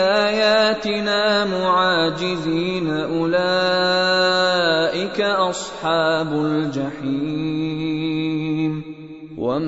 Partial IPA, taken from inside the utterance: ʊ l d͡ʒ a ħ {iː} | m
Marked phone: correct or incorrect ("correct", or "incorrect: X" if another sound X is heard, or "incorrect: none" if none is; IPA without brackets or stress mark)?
correct